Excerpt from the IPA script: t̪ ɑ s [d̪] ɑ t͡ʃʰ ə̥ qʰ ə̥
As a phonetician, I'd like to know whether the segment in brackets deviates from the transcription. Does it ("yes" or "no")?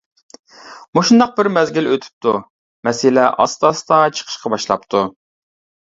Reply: yes